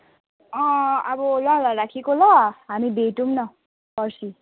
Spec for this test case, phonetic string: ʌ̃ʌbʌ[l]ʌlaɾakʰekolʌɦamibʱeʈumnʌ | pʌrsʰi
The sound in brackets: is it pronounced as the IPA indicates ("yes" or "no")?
yes